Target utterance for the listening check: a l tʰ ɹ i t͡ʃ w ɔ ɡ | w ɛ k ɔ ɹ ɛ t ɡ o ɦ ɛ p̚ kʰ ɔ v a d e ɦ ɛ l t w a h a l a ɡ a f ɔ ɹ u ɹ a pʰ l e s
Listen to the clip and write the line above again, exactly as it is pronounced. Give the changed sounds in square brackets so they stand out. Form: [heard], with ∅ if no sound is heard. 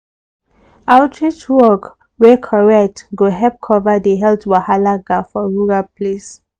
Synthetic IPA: a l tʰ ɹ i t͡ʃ w ɔ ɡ | w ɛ [kʰ] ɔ ɹ ɛ t ɡ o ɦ ɛ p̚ kʰ ɔ v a d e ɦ ɛ l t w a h a l a ɡ a f ɔ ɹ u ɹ a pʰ l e s